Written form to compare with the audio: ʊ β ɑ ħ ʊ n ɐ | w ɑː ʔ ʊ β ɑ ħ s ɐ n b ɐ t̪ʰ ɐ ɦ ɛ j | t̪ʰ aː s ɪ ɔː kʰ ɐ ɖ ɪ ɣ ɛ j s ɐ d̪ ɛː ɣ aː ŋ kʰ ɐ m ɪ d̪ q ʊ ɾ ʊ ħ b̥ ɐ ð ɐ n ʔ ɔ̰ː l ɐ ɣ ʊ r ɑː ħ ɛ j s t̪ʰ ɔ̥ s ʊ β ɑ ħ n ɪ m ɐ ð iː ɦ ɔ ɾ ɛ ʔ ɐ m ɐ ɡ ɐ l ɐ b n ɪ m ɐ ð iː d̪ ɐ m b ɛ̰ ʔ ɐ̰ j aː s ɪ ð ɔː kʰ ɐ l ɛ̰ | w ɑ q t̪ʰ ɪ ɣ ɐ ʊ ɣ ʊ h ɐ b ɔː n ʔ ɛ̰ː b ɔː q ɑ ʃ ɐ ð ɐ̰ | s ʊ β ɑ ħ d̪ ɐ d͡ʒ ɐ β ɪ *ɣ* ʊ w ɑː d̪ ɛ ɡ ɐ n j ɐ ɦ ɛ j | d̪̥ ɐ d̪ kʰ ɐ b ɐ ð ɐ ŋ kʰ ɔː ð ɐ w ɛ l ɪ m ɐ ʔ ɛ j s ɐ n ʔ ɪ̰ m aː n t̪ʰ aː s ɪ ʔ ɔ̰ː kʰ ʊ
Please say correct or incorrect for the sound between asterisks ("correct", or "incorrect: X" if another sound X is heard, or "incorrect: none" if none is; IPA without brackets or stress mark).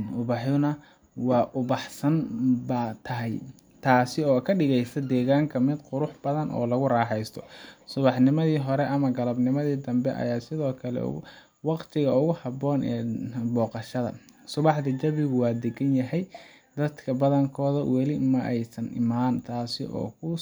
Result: correct